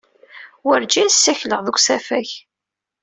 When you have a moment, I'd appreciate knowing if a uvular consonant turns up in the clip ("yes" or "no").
yes